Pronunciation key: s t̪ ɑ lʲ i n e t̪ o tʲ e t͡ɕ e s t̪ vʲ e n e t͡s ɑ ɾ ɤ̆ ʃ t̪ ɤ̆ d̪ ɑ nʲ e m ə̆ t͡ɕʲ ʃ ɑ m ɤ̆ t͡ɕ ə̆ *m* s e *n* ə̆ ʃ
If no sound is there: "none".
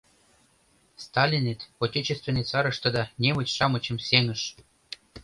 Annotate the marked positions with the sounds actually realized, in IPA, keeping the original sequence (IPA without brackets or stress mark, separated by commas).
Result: m, ŋ